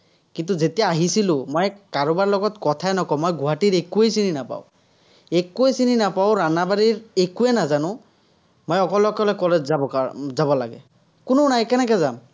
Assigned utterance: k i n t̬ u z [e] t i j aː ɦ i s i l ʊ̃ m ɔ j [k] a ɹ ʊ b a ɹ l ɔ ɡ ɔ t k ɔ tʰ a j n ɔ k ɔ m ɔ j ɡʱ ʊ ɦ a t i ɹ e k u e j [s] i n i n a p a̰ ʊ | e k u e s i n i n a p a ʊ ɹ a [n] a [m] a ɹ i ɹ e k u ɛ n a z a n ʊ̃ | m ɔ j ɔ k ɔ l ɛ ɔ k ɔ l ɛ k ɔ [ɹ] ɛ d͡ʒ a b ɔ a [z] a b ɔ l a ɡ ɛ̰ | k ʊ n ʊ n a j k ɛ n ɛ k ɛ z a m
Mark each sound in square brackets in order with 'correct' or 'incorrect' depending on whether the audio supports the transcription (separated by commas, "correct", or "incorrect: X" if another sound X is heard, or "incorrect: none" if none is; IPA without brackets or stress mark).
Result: correct, correct, correct, correct, incorrect: b, incorrect: l, correct